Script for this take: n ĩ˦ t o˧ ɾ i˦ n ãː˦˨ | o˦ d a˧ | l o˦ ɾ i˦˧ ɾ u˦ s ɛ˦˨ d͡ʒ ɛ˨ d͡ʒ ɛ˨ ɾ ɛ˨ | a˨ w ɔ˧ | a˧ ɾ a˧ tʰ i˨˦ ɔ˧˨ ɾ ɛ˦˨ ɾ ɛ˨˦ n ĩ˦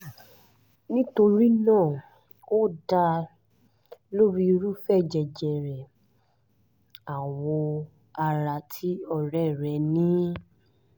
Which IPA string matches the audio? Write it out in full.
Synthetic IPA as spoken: n ĩ˦ t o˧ ɾ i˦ n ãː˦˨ | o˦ d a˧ | l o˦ ɾ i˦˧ ɾ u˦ f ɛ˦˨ d͡ʒ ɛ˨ d͡ʒ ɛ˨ ɾ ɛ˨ | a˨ w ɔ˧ | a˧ ɾ a˧ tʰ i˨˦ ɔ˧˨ ɾ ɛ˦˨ ɾ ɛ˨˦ n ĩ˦

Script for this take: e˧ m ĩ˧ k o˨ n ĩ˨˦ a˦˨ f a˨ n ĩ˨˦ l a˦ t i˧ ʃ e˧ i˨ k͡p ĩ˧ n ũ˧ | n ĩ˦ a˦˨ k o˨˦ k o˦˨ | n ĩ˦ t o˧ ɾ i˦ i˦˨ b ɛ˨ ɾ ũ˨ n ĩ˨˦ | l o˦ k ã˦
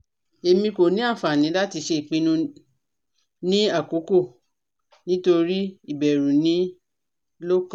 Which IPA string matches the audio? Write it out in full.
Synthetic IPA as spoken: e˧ m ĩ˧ k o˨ n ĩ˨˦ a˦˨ f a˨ n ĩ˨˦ l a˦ t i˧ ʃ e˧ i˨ k͡p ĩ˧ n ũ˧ | n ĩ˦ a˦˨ k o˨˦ k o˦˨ | n ĩ˦ t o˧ ɾ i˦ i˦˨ b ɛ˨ ɾ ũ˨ n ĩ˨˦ | l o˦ k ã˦

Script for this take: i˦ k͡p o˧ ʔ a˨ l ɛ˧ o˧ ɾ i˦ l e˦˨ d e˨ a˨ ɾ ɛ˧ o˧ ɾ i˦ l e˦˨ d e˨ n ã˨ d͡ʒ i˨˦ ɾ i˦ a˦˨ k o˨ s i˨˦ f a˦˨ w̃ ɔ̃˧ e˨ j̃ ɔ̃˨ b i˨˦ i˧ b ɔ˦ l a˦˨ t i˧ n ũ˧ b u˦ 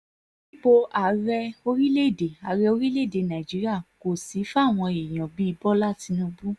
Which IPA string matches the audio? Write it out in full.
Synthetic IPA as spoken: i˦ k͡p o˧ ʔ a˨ ɾ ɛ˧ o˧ ɾ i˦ l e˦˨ d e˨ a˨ ɾ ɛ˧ o˧ ɾ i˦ l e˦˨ d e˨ n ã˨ d͡ʒ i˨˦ ɾ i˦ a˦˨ k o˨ s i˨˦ f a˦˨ w̃ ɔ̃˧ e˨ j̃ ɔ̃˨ b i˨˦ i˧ b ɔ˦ l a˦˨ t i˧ n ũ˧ b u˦

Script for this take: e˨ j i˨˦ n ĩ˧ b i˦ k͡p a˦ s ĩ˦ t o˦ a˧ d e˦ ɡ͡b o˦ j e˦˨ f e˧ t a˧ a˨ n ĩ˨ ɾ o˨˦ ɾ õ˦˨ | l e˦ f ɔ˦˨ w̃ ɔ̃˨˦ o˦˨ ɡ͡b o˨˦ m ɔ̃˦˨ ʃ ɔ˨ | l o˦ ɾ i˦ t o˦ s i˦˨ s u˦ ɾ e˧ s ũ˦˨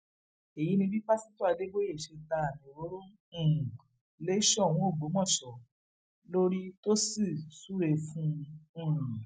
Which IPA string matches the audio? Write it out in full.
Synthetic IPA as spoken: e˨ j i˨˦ n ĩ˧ b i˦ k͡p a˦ s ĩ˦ t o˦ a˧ d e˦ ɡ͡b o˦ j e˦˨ ʃ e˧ t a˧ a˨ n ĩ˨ ɾ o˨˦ ɾ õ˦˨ | l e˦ ʃ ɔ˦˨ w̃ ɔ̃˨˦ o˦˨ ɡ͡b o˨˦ m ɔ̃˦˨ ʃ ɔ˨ | l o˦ ɾ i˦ t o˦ s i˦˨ s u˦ ɾ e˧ f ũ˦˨

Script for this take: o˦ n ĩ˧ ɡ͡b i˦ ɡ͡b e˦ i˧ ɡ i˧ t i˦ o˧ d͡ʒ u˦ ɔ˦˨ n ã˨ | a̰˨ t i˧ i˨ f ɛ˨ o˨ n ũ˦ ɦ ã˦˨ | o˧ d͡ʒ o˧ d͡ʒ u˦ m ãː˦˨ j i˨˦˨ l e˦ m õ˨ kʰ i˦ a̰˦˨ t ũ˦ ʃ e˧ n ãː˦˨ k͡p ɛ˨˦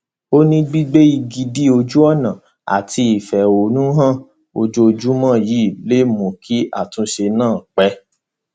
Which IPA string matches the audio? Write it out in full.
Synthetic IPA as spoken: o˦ n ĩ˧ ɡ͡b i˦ ɡ͡b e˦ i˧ ɡ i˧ d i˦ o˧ d͡ʒ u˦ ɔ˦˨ n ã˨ | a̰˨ t i˧ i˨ f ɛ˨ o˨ n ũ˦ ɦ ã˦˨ | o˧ d͡ʒ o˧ d͡ʒ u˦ m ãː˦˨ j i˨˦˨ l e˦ m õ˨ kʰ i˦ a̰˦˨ t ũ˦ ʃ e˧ n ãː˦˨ k͡p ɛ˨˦

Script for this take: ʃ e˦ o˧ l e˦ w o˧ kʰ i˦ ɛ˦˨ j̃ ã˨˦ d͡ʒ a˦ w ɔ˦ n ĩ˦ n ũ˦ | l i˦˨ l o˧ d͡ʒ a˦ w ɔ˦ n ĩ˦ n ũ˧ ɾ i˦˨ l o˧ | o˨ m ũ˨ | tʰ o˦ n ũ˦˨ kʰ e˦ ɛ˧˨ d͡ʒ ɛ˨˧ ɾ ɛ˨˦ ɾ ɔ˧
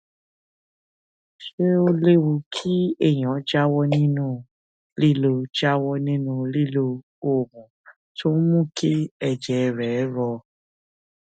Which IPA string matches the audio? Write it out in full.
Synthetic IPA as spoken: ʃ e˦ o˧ l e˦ w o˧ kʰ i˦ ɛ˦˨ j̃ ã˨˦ d͡ʒ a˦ w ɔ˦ n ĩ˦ n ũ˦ | l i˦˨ l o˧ d͡ʒ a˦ w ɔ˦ n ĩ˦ n ũ˧ l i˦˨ l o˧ | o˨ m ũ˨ | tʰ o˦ m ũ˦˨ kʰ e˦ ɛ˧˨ d͡ʒ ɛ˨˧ ɾ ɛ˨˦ ɾ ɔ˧

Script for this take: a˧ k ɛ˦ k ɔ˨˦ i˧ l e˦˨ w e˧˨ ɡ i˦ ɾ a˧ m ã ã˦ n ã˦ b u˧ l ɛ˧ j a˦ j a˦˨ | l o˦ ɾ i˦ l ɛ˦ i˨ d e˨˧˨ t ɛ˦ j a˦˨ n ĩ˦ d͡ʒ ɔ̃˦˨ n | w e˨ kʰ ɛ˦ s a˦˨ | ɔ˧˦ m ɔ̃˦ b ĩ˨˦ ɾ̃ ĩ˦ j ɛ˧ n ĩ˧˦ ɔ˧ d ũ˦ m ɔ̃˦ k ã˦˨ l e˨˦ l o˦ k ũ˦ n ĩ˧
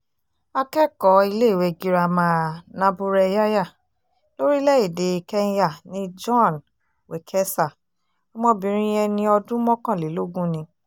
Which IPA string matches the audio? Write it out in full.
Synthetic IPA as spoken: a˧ k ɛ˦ k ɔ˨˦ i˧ l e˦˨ w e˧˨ ɡ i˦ ɾ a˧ m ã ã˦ n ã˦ b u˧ ɾ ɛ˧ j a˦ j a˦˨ | l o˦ ɾ i˦ l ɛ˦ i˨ d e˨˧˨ k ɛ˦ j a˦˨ n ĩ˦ d͡ʒ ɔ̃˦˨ n | w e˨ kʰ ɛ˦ s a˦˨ | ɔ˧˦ m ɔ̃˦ b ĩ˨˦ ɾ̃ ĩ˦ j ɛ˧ n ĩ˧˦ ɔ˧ d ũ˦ m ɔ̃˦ k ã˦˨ l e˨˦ l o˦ ɡ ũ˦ n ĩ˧

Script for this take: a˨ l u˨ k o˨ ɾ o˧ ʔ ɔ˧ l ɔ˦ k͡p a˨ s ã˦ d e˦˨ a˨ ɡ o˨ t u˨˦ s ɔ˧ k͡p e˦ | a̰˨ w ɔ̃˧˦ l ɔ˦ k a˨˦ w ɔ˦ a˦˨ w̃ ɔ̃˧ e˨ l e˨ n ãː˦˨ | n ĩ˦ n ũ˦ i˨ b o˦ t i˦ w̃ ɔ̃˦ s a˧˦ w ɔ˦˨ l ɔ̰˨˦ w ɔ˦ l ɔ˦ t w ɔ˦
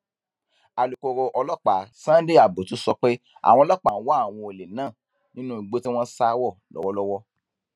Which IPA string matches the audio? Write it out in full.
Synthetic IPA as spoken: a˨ l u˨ k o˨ ɾ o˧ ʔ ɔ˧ l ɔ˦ k͡p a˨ s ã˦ d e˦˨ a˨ b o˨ t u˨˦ s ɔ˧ k͡p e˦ | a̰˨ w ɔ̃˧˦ l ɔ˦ k͡p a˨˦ w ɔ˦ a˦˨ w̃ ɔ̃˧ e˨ l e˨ n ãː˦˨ | n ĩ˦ n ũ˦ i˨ ɡ͡b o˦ t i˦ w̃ ɔ̃˦ s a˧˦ w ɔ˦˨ l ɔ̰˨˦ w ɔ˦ l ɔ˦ w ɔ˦

